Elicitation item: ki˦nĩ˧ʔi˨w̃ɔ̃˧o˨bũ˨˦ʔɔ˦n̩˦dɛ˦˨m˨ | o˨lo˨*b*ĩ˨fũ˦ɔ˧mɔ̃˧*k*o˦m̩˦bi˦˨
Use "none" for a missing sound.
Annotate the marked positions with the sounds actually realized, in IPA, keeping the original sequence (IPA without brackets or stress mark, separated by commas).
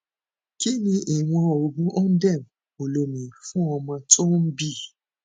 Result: m, t